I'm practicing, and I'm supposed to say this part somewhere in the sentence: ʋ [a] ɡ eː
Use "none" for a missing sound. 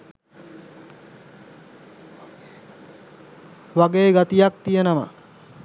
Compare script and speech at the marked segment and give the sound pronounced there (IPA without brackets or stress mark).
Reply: a